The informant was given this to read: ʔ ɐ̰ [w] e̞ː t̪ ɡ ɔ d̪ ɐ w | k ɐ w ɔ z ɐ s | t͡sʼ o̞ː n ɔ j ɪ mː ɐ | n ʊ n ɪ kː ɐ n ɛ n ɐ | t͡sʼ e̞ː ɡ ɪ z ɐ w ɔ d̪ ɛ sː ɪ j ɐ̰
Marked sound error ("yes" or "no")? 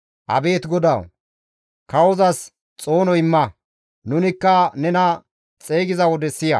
yes